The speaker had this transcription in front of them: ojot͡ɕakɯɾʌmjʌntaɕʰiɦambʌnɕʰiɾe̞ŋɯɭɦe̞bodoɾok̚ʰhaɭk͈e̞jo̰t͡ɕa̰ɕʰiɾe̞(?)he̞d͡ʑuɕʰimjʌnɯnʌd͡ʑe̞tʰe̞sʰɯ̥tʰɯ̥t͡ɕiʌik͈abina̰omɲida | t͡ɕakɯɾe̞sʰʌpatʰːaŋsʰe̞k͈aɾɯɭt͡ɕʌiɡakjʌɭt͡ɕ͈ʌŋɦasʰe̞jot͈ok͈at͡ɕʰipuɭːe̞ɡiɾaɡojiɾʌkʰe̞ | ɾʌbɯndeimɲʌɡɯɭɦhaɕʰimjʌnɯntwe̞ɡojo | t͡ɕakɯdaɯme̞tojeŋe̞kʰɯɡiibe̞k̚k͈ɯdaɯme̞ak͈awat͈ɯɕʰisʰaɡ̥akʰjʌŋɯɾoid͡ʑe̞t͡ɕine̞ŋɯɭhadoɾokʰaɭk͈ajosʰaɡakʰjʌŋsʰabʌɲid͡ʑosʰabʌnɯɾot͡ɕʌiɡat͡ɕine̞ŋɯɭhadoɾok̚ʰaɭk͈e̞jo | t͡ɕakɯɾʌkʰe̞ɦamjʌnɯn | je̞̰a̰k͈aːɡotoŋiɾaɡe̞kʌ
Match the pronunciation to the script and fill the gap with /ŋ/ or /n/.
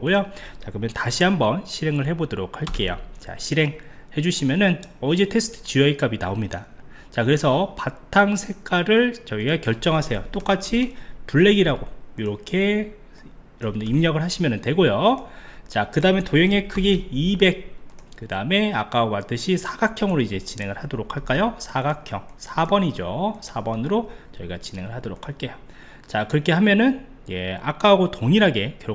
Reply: ŋ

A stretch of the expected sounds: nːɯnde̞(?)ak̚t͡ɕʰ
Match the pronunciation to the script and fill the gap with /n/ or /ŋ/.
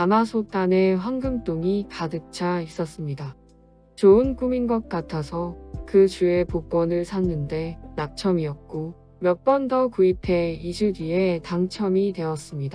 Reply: n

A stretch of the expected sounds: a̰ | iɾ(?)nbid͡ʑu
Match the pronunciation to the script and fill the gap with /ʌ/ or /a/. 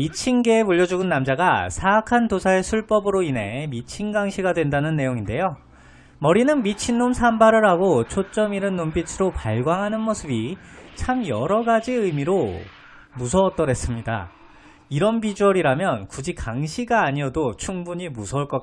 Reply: ʌ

